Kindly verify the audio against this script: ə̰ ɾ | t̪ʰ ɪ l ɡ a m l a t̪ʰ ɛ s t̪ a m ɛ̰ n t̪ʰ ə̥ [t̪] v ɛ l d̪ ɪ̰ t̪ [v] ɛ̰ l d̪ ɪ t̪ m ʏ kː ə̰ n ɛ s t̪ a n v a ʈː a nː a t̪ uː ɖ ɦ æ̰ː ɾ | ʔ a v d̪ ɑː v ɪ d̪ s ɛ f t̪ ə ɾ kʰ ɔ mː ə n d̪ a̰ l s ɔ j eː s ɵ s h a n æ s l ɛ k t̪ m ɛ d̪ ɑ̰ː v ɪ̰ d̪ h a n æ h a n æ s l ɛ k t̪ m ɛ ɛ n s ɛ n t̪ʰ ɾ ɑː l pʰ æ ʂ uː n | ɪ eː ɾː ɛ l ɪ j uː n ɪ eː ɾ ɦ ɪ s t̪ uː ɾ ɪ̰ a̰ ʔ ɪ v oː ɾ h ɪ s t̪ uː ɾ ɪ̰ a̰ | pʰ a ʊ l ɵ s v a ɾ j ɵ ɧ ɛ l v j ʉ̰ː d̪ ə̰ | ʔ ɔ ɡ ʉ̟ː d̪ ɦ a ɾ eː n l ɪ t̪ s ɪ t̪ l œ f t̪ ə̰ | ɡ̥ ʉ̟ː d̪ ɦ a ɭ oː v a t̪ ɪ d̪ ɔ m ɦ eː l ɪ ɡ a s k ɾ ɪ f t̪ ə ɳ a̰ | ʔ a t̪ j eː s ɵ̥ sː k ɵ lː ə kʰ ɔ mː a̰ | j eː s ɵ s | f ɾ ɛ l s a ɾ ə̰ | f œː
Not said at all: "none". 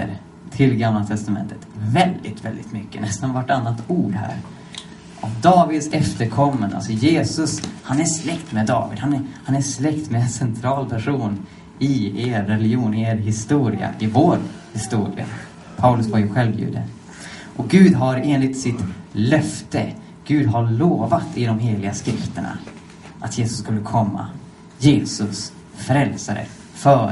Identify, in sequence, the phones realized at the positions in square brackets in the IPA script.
t̪, v

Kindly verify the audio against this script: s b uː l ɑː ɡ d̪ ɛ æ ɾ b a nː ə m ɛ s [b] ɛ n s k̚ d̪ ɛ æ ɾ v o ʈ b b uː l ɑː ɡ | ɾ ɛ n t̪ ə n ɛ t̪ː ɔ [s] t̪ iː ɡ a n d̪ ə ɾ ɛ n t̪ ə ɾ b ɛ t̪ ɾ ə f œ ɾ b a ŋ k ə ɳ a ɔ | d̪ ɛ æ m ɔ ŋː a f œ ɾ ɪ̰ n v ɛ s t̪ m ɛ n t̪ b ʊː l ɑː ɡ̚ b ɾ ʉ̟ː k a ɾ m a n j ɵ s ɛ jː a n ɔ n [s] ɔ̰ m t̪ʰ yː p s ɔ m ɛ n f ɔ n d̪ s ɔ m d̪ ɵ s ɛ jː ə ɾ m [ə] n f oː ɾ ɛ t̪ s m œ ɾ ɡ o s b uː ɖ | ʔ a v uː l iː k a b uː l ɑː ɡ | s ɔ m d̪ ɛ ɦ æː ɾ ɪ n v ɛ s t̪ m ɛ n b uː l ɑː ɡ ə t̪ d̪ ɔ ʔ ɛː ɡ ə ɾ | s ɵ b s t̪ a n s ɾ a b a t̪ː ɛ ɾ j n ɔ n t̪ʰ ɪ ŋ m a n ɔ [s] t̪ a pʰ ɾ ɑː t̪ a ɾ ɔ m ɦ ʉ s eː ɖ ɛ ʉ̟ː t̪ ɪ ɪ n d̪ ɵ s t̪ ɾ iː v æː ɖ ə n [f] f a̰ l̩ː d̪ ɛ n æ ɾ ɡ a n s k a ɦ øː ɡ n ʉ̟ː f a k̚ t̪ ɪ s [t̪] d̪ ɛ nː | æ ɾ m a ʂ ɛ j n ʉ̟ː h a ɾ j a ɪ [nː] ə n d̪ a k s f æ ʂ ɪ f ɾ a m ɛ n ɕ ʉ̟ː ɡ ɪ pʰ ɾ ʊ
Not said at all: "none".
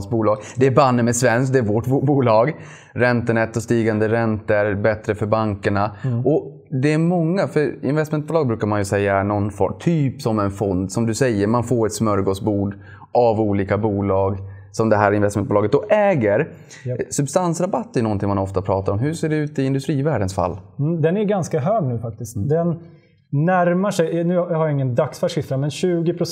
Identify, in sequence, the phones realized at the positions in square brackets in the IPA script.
v, s, f, a, f, s, t̪, ŋː

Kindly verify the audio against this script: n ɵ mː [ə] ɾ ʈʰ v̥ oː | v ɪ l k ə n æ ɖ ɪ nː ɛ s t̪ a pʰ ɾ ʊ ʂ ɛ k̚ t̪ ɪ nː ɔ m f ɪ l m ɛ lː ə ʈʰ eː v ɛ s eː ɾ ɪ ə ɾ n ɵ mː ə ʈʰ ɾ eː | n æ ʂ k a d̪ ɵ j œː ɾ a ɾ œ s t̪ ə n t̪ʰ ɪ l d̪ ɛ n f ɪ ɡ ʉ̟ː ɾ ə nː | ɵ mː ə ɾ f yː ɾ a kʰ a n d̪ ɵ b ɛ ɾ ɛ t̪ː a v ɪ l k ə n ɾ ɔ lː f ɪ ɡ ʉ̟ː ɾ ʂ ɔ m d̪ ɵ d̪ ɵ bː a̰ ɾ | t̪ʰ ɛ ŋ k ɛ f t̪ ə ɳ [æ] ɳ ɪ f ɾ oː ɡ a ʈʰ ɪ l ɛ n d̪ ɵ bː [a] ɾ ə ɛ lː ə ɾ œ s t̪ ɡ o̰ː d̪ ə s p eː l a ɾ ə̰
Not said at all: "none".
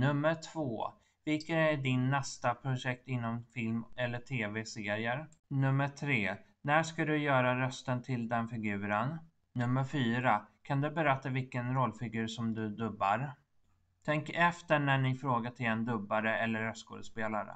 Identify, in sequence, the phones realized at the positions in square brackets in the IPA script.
ə, æ, a

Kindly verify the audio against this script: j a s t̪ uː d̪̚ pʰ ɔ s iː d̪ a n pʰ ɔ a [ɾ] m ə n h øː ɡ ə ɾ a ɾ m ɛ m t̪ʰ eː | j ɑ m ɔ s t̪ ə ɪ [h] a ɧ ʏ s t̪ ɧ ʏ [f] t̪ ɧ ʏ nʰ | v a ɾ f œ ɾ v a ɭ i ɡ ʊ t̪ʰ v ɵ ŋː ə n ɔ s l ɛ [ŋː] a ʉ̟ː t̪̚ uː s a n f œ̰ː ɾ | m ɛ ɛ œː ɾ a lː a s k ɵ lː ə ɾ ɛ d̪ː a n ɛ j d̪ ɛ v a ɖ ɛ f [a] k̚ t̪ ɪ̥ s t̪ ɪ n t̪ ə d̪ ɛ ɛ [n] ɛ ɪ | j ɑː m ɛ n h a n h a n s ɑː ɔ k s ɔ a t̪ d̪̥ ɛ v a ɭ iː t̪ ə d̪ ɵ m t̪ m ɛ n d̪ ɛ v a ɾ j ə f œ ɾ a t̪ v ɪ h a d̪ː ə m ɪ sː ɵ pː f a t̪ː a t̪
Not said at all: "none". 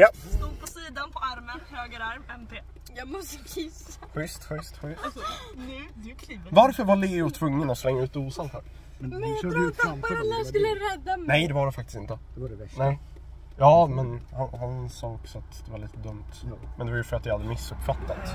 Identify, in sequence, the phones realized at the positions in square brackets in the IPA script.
ɾ, s, s, ŋː, a, n

